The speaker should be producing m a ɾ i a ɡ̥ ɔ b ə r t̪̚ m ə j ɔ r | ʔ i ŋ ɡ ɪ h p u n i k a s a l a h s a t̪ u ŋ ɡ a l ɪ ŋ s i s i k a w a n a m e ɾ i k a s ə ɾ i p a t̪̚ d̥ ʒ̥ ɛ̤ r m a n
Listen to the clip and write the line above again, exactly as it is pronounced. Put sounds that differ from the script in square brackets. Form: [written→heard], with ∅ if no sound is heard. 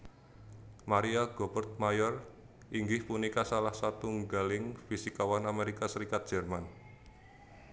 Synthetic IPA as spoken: m a ɾ i a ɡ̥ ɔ b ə r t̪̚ m [ə→a] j ɔ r | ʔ i ŋ ɡ ɪ h p u n i k a s a l a h s a t̪ u ŋ ɡ a l ɪ ŋ [s→f] i s i k a w a n a m e ɾ i k a s ə ɾ i [p→k] a t̪̚ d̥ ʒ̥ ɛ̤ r m a n